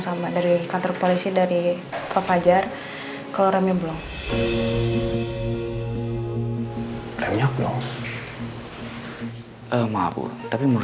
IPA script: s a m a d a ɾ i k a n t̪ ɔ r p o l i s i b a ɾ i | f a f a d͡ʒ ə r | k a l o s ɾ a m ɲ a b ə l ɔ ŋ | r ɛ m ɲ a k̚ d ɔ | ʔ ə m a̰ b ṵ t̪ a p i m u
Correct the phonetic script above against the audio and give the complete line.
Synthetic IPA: s a m a d a ɾ i k a n t̪ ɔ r p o l i s i d a ɾ i | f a f a d͡ʒ a r | k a l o ɾ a m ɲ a b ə l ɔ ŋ | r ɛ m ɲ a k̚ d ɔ | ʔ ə m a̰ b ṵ t̪ a p i m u